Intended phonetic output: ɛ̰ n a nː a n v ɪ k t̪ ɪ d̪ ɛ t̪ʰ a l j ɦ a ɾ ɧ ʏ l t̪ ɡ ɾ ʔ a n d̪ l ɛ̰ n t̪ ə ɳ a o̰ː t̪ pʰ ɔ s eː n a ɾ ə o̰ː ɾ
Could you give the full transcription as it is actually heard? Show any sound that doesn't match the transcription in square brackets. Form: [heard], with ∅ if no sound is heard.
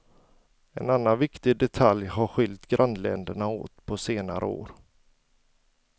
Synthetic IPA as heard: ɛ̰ n a nː a n v ɪ k t̪ ɪ d̪ ɛ t̪ʰ a l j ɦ a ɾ ɧ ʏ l t̪ ɡ ɾ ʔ a n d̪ l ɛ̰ n [d̪] ə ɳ a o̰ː t̪ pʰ ɔ s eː n a ɾ ə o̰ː ɾ